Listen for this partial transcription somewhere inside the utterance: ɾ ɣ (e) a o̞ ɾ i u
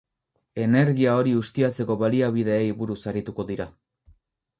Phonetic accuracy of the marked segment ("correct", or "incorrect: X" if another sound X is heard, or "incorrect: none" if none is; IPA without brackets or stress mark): incorrect: i